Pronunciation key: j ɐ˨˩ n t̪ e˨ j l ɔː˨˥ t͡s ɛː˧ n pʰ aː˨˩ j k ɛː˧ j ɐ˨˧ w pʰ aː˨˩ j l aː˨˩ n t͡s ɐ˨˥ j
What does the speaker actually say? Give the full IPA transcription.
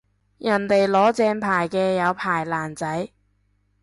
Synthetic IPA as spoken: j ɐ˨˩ n t̪ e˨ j l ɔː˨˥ t͡s ɛː˧ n pʰ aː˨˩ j k ɛː˧ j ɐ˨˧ w pʰ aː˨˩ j l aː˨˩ n t͡s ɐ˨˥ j

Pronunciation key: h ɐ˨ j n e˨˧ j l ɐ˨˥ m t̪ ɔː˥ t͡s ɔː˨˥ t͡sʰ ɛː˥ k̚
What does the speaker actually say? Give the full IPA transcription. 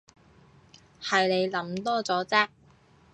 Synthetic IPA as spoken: h ɐ˨ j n e˨˧ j l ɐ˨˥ m t̪ ɔː˥ t͡s ɔː˨˥ t͡s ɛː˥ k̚

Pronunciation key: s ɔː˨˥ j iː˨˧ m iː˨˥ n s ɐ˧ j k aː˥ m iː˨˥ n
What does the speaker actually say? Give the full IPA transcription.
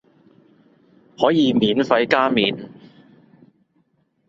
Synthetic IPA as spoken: h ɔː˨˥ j iː˨˧ m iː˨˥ n f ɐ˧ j k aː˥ m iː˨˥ n

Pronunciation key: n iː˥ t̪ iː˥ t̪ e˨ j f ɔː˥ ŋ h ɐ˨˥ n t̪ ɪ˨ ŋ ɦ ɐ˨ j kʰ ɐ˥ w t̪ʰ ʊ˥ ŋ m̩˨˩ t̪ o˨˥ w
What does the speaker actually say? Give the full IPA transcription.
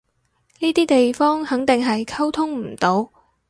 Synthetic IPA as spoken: n iː˥ t̪ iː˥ t̪ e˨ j f ɔː˥ ŋ h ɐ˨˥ ŋ t̪ ɪ˨ ŋ ɦ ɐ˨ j kʰ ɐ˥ w t̪ʰ ʊ˥ ŋ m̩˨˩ t̪ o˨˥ w

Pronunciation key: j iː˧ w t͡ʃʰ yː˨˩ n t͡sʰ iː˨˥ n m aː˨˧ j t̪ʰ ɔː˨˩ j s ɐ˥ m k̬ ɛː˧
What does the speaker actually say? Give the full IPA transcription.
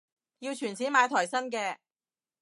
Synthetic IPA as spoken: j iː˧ w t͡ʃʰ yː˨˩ n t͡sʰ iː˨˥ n m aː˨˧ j t̪ʰ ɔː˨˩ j s ɐ˥ n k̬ ɛː˧

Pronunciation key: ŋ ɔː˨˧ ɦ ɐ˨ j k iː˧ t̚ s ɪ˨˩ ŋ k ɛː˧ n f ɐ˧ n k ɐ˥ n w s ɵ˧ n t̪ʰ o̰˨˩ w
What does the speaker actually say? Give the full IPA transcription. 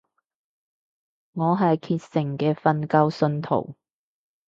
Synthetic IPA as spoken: ŋ ɔː˨˧ ɦ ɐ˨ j kʰ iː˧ t̚ s ɪ˨˩ ŋ k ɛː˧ f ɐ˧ n k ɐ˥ w s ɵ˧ n t̪ʰ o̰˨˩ w

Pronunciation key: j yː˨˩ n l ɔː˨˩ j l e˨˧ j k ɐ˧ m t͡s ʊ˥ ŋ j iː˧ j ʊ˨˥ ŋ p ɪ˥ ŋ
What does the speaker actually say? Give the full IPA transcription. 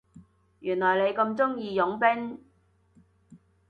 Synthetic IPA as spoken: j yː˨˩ n l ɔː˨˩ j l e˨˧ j k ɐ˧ m t͡s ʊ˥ ŋ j iː˧ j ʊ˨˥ ŋ p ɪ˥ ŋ

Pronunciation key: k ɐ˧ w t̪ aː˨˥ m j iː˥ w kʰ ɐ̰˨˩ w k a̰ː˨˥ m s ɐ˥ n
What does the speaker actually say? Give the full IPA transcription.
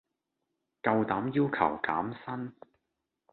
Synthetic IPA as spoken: k ɐ˧ w t̪ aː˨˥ m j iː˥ w kʰ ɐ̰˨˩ w k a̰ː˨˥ m s ɐ˥ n

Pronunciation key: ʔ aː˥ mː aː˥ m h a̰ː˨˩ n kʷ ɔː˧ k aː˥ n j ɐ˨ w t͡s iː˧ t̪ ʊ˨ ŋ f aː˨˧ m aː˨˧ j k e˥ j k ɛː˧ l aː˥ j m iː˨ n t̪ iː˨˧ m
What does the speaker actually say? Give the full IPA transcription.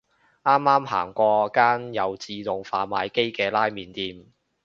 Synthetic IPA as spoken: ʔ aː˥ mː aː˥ m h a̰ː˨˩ ŋ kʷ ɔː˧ k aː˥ n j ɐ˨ w t͡s iː˧ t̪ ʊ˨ ŋ f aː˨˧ m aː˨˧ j k e˥ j k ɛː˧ l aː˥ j m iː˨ n t̪ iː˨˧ m

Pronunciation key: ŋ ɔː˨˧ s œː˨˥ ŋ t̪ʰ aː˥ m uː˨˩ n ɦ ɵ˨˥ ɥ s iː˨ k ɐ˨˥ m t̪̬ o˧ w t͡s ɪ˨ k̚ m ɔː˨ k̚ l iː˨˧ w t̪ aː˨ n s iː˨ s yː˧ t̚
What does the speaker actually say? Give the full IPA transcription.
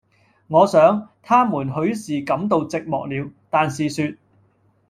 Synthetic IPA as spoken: ŋ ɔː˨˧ s œː˨˥ ŋ t̪ʰ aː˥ m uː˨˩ n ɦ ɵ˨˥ ɥ s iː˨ k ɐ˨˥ m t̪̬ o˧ w t͡s ɪ˨ k̚ m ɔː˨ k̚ l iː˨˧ w t̪ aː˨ n s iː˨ s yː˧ t̚

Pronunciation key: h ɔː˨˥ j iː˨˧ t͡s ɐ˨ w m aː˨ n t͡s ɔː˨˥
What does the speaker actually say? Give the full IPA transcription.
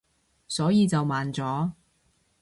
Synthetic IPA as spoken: s ɔː˨˥ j iː˨˧ t͡s ɐ˨ w m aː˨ n t͡s ɔː˨˥

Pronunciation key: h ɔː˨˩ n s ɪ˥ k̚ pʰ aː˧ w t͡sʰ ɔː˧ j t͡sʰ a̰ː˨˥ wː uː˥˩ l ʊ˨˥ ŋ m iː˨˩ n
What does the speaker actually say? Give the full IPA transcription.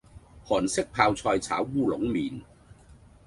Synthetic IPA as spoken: h ɔː˨˩ n s ɪ˥ k̚ pʰ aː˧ w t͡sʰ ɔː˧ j t͡sʰ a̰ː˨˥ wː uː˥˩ l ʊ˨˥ ŋ m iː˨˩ n

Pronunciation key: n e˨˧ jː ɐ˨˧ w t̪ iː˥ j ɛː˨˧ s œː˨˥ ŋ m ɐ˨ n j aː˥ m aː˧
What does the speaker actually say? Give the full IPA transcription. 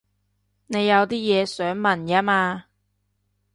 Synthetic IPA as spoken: n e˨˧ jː ɐ˨˧ w t̪ iː˥ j ɛː˨˧ s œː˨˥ ŋ m ɐ˨ n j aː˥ m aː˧

